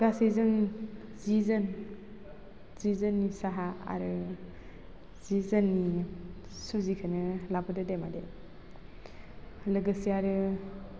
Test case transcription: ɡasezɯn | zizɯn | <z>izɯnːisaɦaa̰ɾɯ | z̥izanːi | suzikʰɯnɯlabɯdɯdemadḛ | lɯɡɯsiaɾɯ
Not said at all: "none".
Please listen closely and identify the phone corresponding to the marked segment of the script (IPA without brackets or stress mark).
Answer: z